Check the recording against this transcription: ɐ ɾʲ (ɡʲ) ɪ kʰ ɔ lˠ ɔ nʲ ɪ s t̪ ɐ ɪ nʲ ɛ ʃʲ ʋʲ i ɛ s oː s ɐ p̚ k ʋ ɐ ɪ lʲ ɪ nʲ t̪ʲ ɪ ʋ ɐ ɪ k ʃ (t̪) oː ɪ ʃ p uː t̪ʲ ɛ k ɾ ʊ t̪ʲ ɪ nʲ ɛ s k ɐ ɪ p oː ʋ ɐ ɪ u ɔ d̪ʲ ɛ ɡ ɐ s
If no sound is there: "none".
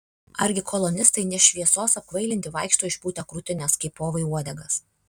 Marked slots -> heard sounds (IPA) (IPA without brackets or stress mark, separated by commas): ɡʲ, t̪